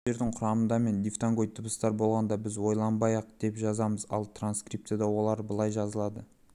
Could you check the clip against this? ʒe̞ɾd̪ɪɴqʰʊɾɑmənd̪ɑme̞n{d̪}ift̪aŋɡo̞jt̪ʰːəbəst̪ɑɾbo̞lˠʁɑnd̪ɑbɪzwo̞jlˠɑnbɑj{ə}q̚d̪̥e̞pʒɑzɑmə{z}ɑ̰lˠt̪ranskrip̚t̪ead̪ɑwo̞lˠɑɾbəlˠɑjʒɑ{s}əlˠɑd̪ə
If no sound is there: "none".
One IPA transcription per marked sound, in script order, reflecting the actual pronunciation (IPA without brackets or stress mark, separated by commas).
d̪, ɑ, z, z